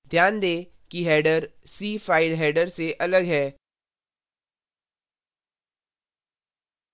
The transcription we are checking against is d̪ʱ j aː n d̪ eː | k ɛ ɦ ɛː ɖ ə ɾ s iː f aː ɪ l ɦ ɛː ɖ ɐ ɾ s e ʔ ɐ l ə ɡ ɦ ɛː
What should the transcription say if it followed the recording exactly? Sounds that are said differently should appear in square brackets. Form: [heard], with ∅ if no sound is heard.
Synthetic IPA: d̪ʱ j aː n d̪ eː | k [i] ɦ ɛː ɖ ə ɾ s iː f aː ɪ l ɦ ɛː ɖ [ə] ɾ s e ʔ ɐ l ə ɡ ɦ ɛː